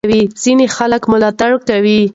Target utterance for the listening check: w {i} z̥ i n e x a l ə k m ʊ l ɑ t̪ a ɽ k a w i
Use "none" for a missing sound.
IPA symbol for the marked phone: i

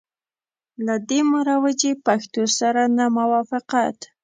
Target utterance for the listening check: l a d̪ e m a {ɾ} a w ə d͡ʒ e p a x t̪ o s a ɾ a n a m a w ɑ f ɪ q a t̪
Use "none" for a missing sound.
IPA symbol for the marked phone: ɾ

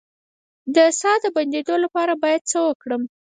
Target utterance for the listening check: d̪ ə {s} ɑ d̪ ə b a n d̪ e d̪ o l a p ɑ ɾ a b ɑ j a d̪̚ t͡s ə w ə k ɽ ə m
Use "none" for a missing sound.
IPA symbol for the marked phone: s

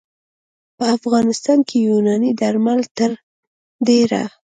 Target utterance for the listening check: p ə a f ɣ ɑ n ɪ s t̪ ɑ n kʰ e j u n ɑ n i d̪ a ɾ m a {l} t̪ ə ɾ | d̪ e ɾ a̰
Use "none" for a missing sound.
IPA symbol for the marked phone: l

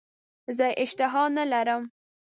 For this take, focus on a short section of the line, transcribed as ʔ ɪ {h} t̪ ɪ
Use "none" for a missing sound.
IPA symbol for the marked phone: ʃ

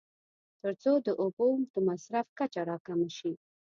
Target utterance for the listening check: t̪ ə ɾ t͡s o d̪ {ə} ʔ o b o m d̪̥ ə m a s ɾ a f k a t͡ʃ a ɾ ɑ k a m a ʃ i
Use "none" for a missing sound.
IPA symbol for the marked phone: ə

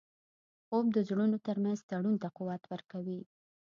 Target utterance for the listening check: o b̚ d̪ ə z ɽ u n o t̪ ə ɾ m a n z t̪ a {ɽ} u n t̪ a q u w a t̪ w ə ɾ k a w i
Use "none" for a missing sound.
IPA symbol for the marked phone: ɽ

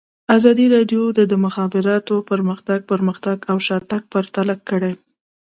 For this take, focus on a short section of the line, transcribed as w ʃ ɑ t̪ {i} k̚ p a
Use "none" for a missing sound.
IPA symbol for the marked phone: a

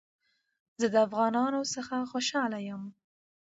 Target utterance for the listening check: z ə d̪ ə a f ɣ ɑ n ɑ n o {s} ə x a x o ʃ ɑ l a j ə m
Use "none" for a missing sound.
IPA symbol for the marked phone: s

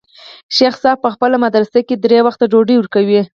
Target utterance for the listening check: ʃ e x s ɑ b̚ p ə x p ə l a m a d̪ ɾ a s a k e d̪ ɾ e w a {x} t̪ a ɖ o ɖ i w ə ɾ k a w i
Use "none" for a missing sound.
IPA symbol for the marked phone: x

